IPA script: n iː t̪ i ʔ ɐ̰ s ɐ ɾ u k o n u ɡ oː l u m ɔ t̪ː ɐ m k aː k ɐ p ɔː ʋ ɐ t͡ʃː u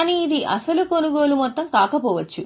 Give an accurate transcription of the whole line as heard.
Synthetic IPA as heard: n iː d̪ i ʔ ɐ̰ s ɐ l u k o n u ɡ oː l u m ɔ t̪ː ɐ m k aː k ɐ p ɔː ʋ ɐ t͡ʃː u

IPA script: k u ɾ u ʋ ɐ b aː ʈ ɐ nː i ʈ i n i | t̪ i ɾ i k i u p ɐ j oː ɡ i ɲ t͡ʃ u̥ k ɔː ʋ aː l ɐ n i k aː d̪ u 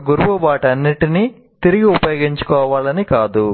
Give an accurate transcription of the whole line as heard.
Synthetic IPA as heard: ɡ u ɾ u ʋ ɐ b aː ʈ ɐ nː i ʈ i n i | t̪ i ɾ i ɡ i u p ɐ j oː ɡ i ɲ t͡ʃ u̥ k ɔː ʋ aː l ɐ n i k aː d̪ u

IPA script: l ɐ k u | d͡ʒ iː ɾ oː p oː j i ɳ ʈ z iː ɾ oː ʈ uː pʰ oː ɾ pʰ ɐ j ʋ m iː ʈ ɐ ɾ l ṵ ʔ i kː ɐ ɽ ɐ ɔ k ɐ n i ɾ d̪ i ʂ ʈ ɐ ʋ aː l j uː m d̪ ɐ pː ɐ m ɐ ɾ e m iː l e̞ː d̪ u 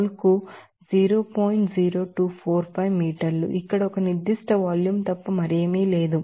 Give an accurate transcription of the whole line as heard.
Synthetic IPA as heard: l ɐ k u | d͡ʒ iː ɾ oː p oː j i ɳ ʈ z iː ɾ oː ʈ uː pʰ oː ɾ pʰ ɐ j ʋ m iː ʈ ɐ ɾ l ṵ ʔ i kː ɐ ɽ ɐ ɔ k ɐ n i ɾ d̪ i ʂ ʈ ɐ ʋ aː l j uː m t̪ ɐ pː ɐ m ɐ ɾ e m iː l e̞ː d̪ u

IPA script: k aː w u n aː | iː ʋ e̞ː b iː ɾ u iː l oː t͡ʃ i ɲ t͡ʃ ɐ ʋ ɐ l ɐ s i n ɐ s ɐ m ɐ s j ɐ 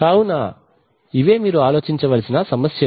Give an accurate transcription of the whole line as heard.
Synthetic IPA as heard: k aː w u n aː | i ʋ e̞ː m iː ɾ u aː l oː t͡ʃ i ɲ t͡ʃ ɐ ʋ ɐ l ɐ s i n ɐ s ɐ m ɐ s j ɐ

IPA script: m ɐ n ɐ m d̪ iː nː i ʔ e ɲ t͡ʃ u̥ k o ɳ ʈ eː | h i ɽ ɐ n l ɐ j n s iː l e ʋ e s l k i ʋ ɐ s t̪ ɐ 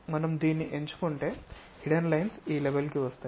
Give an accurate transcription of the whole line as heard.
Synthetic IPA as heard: m ɐ n ɐ m d̪ iː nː i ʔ e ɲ t͡ʃ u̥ k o ɳ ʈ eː | h i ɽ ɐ n l ɐ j n s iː l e ʋ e l k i ʋ ɐ s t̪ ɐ

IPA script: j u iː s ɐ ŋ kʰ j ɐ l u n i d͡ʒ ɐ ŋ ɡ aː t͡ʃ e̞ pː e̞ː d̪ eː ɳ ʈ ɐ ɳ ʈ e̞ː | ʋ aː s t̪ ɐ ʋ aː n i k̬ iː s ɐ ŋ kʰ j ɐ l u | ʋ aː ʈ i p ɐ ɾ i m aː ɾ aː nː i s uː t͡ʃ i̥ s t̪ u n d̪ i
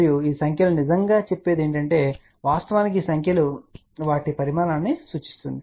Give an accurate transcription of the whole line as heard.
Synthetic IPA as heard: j u iː s ɐ ŋ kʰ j ɐ l u n i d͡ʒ ɐ ŋ ɡ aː t͡ʃ e̞ pː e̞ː d̪ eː ɳ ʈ ɐ ɳ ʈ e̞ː | ʋ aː s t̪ ɐ ʋ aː n i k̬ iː s ɐ ŋ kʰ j ɐ l u | ʋ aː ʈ i p ɐ ɾ i m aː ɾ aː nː i s uː t͡ʃ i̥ s t̪ u n d̪ i

